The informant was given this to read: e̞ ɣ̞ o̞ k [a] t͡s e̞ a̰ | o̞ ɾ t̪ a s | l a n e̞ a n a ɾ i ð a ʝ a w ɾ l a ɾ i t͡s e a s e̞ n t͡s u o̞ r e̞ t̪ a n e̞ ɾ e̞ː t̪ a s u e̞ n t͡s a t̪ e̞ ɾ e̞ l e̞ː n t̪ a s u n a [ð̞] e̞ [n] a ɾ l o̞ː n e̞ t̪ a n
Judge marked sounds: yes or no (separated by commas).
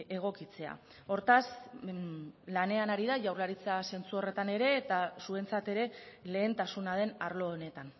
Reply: no, yes, yes